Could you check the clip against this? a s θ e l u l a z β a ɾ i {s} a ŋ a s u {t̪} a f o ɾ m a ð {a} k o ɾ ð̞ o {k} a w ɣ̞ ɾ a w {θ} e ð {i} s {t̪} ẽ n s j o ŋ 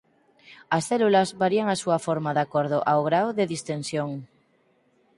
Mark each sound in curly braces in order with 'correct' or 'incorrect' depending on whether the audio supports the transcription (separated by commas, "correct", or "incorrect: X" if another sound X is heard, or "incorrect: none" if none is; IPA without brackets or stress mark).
incorrect: none, incorrect: none, correct, incorrect: ʔ, incorrect: ð, correct, correct